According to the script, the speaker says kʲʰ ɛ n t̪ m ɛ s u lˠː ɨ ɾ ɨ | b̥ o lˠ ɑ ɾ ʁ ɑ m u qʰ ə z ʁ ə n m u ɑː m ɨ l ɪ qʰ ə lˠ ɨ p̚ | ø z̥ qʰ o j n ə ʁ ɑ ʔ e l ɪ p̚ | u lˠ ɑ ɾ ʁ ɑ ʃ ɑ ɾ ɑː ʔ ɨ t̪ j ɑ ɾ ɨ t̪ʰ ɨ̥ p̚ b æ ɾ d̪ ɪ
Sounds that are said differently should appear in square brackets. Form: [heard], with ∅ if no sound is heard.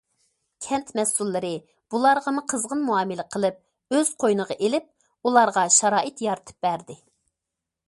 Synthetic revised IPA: kʲʰ ɛ n t̪ m ɛ s u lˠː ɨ ɾ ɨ | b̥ [u] lˠ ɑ ɾ ʁ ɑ m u qʰ ə z ʁ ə n m u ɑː m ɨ l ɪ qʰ ə lˠ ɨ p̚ | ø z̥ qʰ o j n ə ʁ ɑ ʔ e l ɪ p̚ | u lˠ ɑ ɾ ʁ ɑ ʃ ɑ ɾ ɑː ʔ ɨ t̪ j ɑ ɾ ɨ t̪ʰ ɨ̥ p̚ b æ ɾ d̪ ɪ